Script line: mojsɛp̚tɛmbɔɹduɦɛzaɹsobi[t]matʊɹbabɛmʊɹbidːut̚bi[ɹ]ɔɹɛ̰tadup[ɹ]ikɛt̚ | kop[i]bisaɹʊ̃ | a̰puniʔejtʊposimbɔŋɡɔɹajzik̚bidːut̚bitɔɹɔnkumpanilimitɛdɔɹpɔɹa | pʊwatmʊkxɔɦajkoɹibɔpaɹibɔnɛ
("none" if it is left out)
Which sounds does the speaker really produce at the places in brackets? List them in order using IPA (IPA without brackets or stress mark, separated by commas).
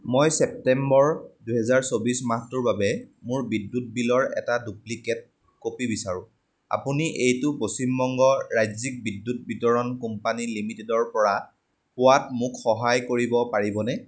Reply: s, l, l, i